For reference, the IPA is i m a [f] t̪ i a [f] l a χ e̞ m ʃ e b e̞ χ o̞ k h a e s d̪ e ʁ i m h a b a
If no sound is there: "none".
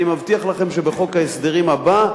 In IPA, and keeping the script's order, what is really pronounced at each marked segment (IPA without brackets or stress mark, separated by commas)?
v, χ